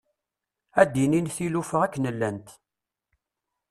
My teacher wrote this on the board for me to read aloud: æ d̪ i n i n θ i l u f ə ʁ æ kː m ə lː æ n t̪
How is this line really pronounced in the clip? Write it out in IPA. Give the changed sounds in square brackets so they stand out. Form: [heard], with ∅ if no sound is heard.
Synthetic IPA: æ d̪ i n i n θ i l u f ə ʁ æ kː [n] ə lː æ n t̪